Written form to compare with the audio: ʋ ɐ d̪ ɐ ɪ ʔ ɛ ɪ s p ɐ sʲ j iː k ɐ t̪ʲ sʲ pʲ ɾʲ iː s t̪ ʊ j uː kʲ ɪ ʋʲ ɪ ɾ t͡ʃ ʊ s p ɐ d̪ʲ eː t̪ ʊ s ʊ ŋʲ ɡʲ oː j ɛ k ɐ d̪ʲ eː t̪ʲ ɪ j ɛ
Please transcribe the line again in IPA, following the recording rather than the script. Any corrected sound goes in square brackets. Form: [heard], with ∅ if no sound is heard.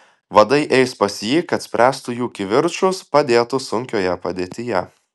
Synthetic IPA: ʋ ɐ d̪ ɐ ɪ ʔ ɛ ɪ s p ɐ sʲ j iː k ɐ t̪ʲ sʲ pʲ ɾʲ [æː] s t̪ ʊ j uː kʲ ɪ ʋʲ ɪ ɾ t͡ʃ ʊ s p ɐ d̪ʲ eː t̪ ʊ s ʊ ŋʲ [kʲ] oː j ɛ [p] ɐ d̪ʲ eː t̪ʲ ɪ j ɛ